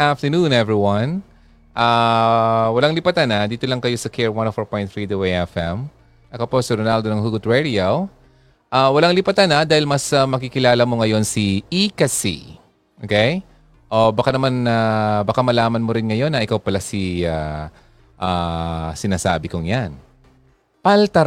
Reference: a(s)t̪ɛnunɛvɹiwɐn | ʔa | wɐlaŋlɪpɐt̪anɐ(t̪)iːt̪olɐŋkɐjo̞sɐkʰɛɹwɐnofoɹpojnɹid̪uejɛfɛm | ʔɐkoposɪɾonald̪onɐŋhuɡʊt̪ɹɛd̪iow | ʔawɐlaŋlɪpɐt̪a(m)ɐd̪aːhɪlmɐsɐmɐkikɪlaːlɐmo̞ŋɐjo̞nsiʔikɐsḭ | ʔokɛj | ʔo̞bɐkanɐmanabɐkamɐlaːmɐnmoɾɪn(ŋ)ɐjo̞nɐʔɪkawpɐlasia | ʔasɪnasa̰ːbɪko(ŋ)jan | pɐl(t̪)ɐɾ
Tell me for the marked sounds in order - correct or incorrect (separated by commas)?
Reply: incorrect, incorrect, incorrect, correct, correct, correct